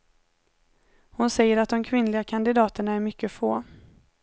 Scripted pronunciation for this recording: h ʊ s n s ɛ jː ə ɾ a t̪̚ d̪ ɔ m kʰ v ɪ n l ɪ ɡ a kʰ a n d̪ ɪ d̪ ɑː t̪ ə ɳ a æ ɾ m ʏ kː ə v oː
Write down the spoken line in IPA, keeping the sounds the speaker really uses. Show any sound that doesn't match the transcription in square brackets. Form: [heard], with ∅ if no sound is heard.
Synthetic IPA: h ʊ [∅] n s ɛ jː ə ɾ a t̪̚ d̪ ɔ m kʰ v ɪ n l ɪ ɡ a kʰ a n d̪ ɪ d̪ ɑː t̪ ə ɳ a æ ɾ m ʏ kː ə [f] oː